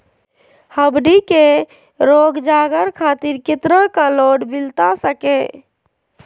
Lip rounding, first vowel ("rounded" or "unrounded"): unrounded